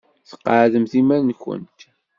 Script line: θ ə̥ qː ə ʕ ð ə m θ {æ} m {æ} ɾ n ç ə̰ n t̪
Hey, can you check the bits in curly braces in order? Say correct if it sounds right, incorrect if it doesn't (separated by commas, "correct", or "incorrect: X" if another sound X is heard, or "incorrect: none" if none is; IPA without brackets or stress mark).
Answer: incorrect: i, correct